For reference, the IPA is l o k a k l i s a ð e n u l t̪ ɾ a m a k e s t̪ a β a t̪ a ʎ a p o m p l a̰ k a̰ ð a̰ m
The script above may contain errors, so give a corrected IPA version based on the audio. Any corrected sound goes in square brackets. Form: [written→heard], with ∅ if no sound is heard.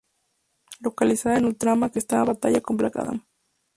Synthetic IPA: l o k a [k→∅] l i s a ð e n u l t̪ ɾ a m a k e s t̪ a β a t̪ a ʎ a [p→k] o m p l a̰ k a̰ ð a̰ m